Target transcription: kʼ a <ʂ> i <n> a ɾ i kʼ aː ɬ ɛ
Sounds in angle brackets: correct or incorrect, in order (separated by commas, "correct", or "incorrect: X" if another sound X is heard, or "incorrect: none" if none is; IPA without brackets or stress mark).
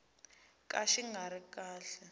incorrect: ʃ, incorrect: ŋ